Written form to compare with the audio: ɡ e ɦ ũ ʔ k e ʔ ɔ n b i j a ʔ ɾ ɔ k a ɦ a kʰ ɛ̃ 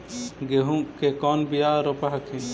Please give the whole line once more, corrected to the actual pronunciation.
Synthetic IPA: ɡ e ɦ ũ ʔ k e k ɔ n b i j a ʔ ɾ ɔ p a ɦ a kʰ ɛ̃